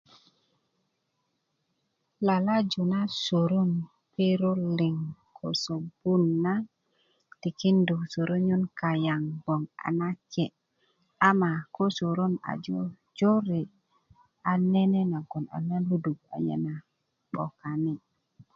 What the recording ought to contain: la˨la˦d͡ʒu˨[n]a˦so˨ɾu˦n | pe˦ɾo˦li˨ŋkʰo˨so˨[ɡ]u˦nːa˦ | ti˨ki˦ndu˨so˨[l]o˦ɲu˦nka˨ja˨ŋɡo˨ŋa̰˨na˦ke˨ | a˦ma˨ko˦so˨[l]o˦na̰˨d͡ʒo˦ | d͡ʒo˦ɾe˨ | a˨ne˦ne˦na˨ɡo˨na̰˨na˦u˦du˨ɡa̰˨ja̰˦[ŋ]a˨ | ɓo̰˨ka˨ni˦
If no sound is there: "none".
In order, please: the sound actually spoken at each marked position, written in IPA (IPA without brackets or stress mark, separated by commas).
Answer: n, b, ɾ, ɾ, n